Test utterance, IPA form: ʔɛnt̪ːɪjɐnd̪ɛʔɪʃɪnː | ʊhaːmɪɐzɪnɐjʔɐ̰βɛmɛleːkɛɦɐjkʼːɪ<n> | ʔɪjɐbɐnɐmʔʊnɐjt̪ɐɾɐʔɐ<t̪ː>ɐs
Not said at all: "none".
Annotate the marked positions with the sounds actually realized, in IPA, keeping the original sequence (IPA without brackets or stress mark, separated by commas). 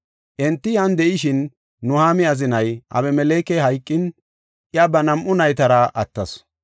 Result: n, t̪ː